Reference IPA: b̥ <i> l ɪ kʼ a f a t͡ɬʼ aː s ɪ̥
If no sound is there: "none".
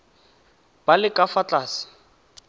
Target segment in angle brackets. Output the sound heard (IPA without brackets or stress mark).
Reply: a